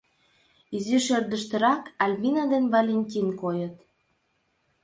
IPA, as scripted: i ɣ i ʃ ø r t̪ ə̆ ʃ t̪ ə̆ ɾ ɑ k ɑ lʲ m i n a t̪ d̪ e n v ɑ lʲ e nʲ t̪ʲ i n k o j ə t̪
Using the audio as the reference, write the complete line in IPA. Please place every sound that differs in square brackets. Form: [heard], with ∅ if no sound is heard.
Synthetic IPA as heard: i [z] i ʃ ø r [d̪] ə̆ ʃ t̪ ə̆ ɾ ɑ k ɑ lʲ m i n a [∅] d̪ e n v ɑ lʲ e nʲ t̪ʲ i n k o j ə t̪